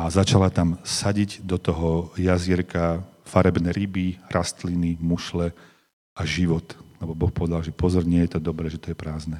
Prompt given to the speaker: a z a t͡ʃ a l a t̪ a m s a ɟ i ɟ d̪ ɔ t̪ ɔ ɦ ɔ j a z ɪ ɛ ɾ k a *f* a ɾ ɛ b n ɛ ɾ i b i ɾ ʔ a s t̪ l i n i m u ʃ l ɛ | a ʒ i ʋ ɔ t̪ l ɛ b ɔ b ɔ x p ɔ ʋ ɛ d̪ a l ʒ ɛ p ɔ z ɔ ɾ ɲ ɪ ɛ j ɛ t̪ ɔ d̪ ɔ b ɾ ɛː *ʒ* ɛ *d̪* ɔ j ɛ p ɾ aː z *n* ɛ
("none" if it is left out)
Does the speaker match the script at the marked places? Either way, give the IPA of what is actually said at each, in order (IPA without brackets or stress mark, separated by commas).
f, ʒ, t̪, n